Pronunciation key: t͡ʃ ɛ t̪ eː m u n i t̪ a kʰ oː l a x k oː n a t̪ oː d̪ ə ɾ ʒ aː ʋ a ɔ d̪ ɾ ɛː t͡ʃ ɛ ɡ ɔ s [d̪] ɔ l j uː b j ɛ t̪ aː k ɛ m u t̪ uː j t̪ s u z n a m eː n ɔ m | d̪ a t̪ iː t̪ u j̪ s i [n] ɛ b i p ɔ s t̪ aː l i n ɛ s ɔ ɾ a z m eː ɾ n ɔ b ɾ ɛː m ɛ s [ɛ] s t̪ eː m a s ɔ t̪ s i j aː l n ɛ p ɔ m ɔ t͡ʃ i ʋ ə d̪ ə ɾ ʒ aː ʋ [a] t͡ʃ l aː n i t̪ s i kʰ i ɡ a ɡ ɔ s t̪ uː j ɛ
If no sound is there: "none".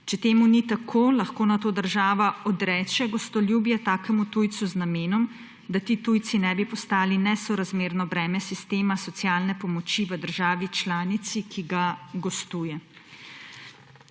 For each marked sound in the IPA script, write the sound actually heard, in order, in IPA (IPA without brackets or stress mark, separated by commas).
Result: t̪, n, i, i